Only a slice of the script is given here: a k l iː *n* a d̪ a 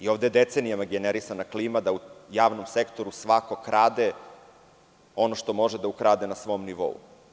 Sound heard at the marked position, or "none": m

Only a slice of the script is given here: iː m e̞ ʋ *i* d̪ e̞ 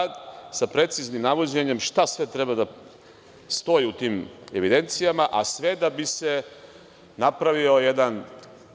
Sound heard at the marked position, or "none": i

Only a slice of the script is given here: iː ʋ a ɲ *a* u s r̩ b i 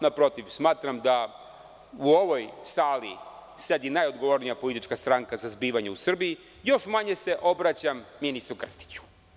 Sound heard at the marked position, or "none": e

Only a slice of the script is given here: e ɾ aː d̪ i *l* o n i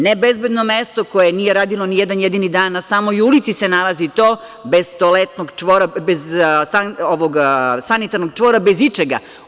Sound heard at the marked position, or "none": l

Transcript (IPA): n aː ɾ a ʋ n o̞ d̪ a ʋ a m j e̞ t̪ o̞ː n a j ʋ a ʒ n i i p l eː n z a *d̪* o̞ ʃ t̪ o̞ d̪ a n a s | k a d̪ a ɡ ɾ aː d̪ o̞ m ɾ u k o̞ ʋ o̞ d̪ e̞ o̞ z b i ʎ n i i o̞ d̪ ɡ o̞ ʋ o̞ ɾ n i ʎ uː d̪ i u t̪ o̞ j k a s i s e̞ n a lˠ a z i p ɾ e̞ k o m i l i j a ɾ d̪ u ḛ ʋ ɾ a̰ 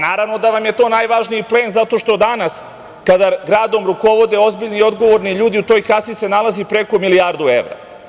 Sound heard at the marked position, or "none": t̪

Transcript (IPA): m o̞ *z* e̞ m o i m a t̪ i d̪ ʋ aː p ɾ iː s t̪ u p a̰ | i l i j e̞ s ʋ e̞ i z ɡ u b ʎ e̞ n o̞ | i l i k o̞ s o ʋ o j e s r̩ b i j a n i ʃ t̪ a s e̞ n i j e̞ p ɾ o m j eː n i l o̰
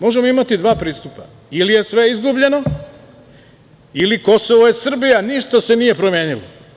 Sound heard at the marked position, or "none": ʒ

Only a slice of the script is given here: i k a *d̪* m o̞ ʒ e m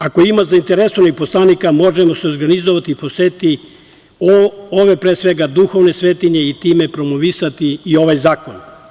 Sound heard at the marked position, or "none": none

